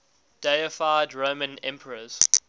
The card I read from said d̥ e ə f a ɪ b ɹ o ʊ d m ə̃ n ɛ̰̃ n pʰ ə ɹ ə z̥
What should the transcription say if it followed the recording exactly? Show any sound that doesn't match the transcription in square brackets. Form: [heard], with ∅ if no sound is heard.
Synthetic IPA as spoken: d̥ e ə f a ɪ [d] ɹ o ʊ [∅] m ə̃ n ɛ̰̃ [m] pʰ ə ɹ ə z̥